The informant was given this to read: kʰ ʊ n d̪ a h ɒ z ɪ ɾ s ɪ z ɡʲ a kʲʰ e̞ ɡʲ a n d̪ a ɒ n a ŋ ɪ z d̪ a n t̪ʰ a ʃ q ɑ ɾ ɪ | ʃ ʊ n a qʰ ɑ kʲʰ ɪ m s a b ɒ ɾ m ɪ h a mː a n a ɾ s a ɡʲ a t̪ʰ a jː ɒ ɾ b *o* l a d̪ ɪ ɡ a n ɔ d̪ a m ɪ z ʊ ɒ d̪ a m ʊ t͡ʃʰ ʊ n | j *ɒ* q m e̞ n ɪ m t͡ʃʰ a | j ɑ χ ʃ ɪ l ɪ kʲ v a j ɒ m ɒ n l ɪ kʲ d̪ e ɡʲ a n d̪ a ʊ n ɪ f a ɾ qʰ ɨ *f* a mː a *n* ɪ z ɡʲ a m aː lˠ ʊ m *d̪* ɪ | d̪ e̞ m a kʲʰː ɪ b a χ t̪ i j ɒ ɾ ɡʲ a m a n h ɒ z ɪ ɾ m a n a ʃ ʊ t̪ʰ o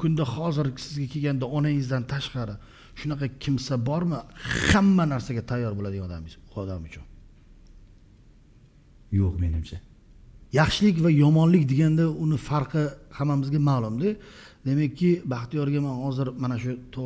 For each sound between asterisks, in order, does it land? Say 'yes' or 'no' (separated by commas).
yes, no, no, no, yes